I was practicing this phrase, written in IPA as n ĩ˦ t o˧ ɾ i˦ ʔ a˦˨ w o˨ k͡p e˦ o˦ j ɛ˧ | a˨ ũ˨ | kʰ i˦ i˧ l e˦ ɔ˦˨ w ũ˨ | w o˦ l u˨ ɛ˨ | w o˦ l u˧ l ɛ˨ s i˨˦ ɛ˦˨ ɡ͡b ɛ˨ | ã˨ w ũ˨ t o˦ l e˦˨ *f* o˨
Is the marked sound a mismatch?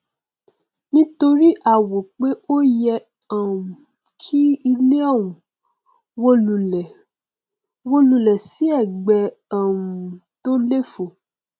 no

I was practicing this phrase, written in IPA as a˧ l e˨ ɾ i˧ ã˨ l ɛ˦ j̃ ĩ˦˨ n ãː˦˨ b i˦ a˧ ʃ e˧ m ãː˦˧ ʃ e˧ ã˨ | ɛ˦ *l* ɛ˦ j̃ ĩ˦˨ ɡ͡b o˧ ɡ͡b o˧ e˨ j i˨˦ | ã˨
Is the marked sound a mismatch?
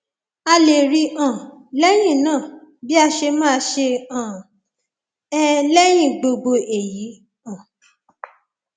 no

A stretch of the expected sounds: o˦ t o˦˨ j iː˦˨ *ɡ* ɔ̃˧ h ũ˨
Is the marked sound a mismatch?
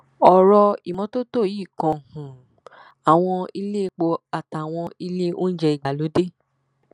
yes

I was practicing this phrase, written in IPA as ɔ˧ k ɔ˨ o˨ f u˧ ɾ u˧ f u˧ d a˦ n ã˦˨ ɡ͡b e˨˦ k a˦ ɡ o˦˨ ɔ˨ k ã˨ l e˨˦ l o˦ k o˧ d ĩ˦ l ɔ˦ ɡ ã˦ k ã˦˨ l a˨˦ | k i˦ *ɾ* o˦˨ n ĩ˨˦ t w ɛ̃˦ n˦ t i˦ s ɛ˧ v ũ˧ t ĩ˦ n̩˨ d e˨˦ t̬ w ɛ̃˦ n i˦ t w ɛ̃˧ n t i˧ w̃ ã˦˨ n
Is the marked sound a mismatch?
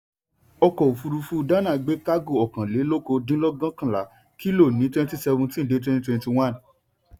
yes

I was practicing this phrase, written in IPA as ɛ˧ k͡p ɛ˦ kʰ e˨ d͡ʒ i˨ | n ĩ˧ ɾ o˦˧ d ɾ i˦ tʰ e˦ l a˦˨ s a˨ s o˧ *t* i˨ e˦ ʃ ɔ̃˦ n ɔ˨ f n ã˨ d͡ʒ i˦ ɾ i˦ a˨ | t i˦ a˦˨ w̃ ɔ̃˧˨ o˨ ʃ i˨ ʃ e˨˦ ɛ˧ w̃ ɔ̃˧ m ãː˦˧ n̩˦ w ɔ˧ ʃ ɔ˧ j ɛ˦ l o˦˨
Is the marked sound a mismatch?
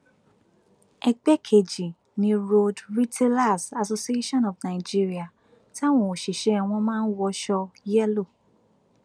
yes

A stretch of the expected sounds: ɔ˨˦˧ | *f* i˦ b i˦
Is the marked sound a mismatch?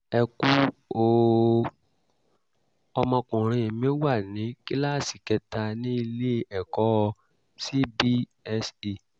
yes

